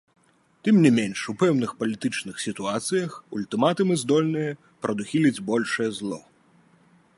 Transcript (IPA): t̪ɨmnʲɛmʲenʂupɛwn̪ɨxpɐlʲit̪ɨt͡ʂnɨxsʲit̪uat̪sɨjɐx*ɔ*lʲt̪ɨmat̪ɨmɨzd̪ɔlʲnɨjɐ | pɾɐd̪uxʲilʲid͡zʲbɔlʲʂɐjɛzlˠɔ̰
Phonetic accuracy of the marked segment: incorrect: u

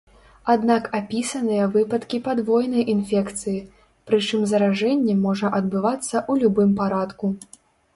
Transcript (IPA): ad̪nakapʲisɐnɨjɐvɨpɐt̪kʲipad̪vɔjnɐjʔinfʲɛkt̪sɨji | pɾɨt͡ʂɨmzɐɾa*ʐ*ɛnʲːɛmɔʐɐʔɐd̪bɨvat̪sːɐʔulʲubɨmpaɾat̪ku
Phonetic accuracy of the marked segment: correct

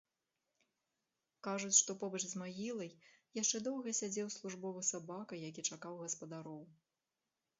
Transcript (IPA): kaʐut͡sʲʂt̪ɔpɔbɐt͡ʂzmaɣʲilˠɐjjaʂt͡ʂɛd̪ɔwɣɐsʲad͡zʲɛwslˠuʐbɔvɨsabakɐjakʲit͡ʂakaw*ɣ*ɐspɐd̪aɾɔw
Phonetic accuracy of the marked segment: correct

